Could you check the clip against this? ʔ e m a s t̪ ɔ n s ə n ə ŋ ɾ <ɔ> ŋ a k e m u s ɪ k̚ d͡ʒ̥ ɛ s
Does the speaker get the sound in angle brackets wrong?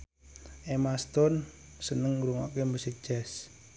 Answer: yes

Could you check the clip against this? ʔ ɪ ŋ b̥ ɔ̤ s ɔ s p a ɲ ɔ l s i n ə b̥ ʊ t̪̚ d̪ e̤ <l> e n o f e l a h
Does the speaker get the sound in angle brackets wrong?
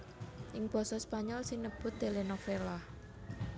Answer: no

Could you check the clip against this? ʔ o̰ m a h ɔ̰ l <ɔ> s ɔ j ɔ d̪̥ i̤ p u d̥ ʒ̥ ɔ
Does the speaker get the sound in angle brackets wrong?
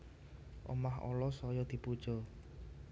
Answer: no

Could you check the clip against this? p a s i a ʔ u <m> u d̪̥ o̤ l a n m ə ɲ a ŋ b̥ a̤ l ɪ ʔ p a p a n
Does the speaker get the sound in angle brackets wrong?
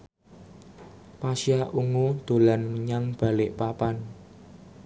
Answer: yes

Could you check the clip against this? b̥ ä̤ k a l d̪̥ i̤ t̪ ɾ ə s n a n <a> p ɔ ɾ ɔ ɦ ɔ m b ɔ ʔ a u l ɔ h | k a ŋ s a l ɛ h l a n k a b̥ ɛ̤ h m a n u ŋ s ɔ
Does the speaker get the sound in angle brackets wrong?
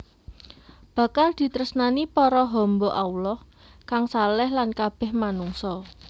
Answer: yes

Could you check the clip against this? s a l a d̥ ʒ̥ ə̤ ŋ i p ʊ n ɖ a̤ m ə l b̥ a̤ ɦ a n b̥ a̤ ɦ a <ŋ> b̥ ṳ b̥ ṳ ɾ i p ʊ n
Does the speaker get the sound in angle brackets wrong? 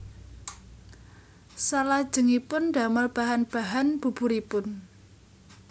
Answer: yes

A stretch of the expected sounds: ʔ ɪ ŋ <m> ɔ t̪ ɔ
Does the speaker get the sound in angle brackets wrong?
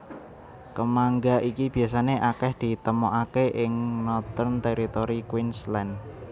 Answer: yes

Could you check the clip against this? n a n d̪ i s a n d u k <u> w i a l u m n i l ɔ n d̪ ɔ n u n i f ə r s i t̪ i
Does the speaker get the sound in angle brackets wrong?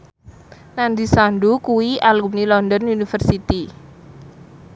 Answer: no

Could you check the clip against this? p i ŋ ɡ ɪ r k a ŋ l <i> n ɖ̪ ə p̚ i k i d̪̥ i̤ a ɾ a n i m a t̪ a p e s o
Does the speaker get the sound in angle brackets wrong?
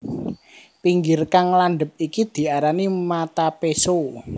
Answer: yes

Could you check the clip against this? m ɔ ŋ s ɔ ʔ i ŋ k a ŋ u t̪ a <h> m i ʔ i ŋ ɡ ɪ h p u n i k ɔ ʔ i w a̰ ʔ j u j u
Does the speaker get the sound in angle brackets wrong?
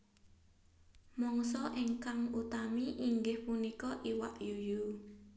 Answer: yes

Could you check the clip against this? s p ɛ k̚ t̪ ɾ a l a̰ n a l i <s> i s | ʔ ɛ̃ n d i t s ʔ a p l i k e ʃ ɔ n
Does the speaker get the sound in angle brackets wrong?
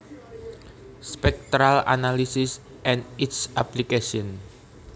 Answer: no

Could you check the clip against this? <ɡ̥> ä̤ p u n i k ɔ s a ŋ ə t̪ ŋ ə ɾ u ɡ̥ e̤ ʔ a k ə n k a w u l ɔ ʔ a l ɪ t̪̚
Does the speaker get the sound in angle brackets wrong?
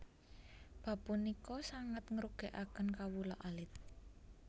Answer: yes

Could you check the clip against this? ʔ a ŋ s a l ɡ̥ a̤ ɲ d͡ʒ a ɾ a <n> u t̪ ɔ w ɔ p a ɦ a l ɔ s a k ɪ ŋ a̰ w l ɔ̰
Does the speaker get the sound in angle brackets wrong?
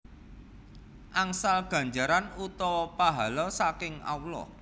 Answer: no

